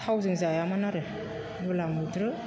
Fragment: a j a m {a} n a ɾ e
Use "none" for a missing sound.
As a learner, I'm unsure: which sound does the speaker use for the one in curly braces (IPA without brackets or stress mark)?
a